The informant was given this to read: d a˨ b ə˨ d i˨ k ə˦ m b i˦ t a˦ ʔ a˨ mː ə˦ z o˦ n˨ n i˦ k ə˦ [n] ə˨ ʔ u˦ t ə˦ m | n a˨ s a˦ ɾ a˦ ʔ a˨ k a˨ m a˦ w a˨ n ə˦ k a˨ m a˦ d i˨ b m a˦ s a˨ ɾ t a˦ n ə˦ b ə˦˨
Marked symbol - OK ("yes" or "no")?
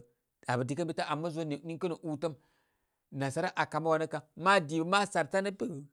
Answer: yes